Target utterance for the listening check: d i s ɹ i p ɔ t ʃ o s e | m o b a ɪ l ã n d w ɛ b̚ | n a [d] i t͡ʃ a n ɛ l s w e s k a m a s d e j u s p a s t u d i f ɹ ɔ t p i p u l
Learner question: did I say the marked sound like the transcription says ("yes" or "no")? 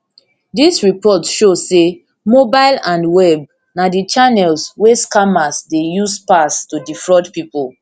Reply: yes